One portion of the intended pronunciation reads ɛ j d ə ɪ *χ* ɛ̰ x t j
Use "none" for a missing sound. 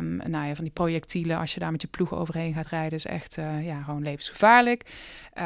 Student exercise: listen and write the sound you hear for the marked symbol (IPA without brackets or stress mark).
s